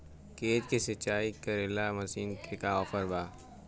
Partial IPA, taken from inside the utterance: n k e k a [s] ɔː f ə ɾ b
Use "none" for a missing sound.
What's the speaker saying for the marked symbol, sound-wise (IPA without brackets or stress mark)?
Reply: none